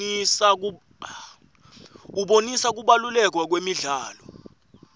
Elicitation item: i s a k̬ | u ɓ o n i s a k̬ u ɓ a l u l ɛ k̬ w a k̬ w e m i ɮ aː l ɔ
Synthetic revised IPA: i s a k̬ | u ɓ o n i s a k̬ u ɓ a l u l ɛ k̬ w a k̬ w e m i ɮ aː l ɔ